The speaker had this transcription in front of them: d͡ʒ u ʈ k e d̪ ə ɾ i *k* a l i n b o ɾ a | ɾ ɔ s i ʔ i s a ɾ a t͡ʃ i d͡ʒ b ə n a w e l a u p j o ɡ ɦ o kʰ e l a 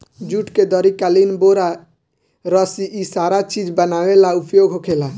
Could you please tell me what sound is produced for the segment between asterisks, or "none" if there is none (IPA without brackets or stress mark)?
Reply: k